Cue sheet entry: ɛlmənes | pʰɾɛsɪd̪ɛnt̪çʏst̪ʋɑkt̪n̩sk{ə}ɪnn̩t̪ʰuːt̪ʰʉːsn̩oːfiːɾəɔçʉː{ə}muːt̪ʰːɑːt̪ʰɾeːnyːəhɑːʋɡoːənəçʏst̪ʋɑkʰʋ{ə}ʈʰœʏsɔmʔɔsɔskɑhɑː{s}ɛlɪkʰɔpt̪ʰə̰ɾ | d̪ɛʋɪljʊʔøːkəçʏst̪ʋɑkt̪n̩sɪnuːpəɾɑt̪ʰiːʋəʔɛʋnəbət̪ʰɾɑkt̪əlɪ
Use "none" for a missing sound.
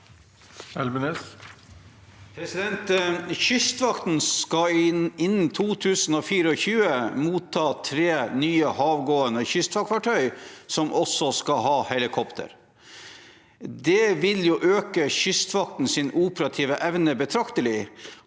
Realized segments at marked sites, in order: ɑ, ə, ɑ, h

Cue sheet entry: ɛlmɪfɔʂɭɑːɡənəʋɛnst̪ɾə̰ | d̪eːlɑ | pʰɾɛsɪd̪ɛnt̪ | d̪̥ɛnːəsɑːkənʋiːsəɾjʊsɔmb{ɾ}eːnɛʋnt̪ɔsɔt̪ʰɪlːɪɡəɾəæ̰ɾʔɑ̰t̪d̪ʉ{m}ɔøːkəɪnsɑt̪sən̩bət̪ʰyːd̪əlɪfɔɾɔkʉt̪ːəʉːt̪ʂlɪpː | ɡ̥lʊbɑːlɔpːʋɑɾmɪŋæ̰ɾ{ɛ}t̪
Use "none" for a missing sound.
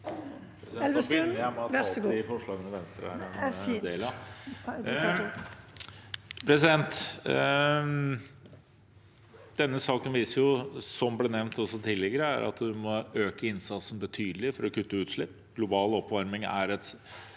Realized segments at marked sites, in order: l, m, ɛ

